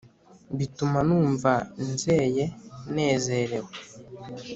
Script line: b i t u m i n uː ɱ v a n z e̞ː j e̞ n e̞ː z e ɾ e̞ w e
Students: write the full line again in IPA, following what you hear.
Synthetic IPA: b i t u m a n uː ɱ v a n z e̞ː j e̞ n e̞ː z e ɾ e̞ w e

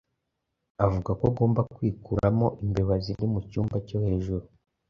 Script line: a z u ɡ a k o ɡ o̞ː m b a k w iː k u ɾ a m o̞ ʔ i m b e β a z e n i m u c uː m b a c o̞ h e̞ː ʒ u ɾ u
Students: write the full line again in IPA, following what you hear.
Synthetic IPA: a v u ɡ a k o ɡ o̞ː m b a k w iː k u ɾ a m o̞ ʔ i m b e β a z i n i m u c uː m b a c o̞ h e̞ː ʒ u ɾ u

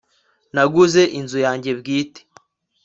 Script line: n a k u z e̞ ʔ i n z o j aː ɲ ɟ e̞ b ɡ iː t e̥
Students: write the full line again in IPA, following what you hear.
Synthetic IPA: n a ɡ u z e̞ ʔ i n z u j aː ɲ ɟ e̞ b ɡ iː t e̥

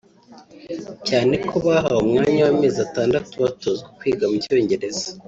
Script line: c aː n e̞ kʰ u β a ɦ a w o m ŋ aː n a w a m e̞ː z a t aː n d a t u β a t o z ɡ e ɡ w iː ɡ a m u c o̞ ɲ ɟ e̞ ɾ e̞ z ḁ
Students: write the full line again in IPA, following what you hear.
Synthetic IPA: c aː n e̞ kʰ o β a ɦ a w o m ŋ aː ɲ a w a m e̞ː z a t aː n d a t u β a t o z ɡ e k w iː ɡ a m u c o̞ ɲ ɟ e̞ ɾ e̞ z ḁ

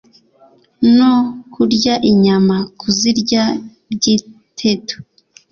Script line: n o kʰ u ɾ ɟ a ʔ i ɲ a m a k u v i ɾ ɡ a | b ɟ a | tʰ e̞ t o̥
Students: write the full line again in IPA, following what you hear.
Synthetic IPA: n o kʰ u ɾ ɟ a ʔ i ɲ a m a k u z i ɾ ɟ a | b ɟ i | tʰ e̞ t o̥

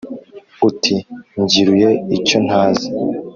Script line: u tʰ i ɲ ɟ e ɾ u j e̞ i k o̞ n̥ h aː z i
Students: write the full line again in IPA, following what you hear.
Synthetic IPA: u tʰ i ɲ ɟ i ɾ u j e̞ i c o̞ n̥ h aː z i

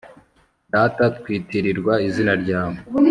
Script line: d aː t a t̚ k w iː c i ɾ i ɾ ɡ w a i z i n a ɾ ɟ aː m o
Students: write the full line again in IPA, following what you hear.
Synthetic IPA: d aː t a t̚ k w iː t i ɾ i ɾ ɡ w a i z i n a ɾ ɟ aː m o

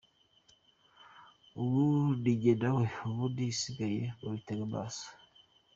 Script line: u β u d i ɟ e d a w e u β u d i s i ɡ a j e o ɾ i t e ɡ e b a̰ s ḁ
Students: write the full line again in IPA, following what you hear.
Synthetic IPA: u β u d i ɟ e d a w e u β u d i s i ɡ a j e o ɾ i t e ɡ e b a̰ s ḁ

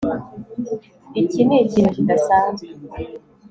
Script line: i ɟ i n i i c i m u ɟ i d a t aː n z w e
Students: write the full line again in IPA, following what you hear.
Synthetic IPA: i c i n e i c i n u c i d a s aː n z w e

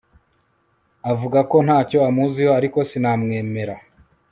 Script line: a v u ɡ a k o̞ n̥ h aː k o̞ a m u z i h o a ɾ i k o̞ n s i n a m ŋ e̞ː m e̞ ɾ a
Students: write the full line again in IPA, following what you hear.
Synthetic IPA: a v u ɡ a k o̞ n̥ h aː c o̞ a m u z i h o a ɾ i k o̞ s i n a m ŋ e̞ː m e̞ ɾ a

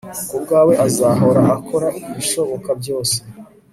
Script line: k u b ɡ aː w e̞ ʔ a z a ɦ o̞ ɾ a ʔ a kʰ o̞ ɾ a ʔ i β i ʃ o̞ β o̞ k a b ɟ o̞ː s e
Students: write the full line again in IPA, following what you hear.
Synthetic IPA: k u b ɡ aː w e̞ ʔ a z a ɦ o̞ ɾ a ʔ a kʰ o̞ ɾ a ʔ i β i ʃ o̞ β o̞ k a b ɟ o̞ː s e

